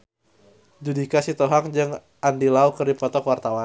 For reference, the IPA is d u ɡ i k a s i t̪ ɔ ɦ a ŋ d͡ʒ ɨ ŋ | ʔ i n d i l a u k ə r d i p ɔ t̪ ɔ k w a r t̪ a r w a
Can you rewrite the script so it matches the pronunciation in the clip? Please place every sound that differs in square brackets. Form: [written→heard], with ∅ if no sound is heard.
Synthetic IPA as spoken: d u [ɡ→d] i k a s i t̪ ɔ ɦ a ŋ d͡ʒ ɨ ŋ | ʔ [i→a] n d i l a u k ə r d i p ɔ t̪ ɔ k w a r t̪ a [r→∅] w a

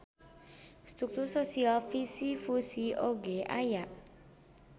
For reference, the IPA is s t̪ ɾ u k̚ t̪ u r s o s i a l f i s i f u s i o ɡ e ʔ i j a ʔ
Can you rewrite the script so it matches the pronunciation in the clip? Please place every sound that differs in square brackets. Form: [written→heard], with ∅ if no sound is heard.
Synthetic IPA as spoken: s t̪ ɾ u k̚ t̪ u r s o s i a l f i s i f u s i o ɡ e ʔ [i→a] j a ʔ

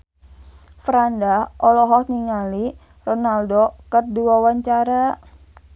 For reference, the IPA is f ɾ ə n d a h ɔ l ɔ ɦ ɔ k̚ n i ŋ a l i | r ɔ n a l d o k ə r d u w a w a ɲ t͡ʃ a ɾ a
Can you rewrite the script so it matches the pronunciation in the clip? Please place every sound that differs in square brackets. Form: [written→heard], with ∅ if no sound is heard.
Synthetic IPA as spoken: f ɾ [ə→a] n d a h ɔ l ɔ ɦ ɔ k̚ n i ŋ a l i | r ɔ n a l d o k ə r d u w a w a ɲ t͡ʃ a ɾ a

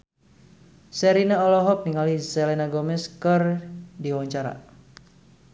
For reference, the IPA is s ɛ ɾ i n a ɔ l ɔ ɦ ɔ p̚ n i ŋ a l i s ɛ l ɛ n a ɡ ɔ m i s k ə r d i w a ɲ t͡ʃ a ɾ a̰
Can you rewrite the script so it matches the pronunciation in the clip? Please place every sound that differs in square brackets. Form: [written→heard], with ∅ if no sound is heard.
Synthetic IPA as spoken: s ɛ ɾ i n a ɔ l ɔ ɦ ɔ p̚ n i ŋ a l i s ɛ l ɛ n a ɡ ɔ m [i→ɛ] s k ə r d i w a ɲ t͡ʃ a ɾ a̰

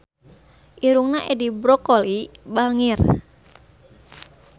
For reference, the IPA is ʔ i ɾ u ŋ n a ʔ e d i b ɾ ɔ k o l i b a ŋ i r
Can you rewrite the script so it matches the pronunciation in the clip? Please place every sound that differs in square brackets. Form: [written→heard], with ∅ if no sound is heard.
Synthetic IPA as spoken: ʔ i ɾ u ŋ n a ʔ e d i b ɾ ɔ k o l i b a ŋ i r

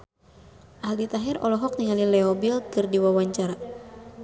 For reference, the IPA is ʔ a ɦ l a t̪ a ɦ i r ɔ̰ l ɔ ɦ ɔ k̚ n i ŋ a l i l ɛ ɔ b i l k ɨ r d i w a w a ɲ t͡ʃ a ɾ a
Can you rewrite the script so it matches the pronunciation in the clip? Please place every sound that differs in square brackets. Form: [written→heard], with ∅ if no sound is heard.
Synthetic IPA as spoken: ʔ a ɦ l [a→i] t̪ a ɦ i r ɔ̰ l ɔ ɦ ɔ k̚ n i ŋ a l i l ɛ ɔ b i l k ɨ r d i w a w a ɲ t͡ʃ a ɾ a

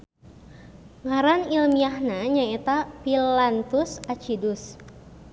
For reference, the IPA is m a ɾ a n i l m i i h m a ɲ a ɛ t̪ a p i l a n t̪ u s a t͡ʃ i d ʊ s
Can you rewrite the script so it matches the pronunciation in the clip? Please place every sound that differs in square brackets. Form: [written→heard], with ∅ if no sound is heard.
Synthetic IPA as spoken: [m→ŋ] a ɾ a n i l m i [i→a] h [m→n] a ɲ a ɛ t̪ a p i l a n t̪ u s a t͡ʃ i d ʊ s

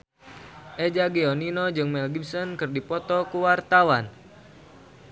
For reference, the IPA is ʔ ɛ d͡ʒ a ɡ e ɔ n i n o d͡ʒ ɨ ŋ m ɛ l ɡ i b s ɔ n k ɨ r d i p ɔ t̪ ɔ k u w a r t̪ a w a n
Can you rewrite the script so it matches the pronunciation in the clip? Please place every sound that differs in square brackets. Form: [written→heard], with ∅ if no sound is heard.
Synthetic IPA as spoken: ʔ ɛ d͡ʒ a ɡ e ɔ n i n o d͡ʒ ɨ ŋ m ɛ l ɡ i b s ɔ n k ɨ r d i p ɔ t̪ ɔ k u w a r t̪ a w a n

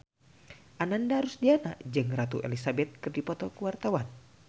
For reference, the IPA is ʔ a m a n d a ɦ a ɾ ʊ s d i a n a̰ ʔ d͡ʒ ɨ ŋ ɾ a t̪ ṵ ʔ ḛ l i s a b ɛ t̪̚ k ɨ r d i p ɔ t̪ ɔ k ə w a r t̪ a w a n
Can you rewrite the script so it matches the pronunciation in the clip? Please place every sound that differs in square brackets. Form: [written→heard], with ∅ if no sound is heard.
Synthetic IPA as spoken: ʔ a [m→n] a n d a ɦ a ɾ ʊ s d i a n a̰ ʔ d͡ʒ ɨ ŋ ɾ a t̪ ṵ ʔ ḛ l i s a b ɛ t̪̚ k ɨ r d i p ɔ t̪ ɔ k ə w a r t̪ a w a n

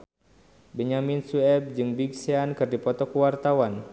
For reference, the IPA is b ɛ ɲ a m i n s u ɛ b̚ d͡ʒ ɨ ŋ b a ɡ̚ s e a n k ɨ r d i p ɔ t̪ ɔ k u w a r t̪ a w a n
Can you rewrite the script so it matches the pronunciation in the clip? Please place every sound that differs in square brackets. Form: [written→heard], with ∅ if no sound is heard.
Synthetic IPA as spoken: b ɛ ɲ a m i n s u ɛ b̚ d͡ʒ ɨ ŋ b [a→i] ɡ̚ s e a n k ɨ r d i p ɔ t̪ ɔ k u w a r t̪ a w a n

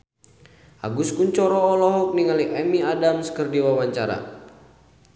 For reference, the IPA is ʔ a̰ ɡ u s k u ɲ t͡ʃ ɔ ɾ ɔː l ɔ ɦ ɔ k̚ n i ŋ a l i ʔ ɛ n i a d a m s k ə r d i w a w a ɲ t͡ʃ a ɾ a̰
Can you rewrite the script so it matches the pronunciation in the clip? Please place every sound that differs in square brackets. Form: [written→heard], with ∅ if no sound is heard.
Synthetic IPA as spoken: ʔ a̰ ɡ u s k u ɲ t͡ʃ ɔ ɾ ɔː l ɔ ɦ ɔ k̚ n i ŋ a l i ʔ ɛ [n→m] i a d a m s k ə r d i w a w a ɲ t͡ʃ a ɾ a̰

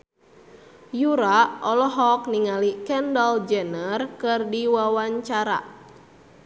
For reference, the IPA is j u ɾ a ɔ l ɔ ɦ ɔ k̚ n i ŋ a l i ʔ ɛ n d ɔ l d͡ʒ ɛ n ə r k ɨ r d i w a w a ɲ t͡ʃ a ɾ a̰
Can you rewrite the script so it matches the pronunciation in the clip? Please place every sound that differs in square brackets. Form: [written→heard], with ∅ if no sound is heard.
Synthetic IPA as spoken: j u ɾ a ɔ l ɔ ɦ ɔ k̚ n i ŋ a l i [ʔ→k] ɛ n d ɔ l d͡ʒ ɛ n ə r k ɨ r d i w a w a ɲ t͡ʃ a ɾ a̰

